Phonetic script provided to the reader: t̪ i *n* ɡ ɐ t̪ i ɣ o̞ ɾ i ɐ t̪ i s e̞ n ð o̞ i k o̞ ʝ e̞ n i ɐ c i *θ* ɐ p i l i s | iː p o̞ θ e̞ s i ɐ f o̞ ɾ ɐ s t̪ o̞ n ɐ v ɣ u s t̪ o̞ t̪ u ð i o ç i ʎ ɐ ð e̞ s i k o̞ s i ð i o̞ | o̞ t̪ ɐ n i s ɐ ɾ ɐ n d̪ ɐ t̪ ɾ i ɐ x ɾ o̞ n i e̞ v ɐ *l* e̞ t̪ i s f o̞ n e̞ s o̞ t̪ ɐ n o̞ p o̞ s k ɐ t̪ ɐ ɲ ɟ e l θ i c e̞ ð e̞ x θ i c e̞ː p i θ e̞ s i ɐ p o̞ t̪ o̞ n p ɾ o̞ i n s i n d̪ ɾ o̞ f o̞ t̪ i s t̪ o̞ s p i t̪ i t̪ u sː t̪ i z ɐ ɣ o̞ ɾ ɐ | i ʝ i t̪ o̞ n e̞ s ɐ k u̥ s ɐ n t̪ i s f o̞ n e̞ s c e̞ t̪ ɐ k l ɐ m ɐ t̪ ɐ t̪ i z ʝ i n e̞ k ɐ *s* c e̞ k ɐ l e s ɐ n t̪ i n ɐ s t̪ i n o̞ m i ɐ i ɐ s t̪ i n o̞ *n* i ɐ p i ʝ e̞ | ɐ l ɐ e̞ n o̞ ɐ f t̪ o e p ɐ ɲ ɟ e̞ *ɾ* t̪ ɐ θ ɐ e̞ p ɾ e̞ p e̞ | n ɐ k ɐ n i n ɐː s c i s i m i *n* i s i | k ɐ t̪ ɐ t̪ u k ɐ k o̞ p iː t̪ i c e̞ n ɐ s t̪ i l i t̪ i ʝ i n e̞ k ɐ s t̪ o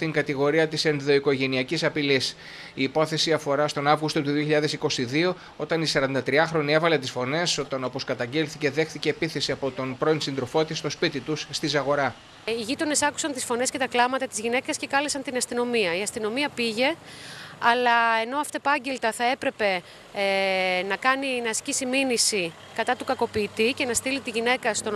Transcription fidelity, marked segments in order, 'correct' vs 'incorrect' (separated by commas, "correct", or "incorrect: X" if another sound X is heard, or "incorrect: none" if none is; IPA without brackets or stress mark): incorrect: ŋ, incorrect: s, correct, correct, incorrect: m, incorrect: l, correct